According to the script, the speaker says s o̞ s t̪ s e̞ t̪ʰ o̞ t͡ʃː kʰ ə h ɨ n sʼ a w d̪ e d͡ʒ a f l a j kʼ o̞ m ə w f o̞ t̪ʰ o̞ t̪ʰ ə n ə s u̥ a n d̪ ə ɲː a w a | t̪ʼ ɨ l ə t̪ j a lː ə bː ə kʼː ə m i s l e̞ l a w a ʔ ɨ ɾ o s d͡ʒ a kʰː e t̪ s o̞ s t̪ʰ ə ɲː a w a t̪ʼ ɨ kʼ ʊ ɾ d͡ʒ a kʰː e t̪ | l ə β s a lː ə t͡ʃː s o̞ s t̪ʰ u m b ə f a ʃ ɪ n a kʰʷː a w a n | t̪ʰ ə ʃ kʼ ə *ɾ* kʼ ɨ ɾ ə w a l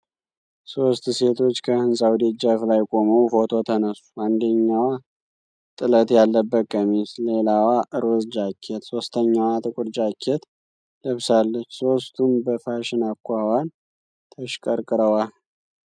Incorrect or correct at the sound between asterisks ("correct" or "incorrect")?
correct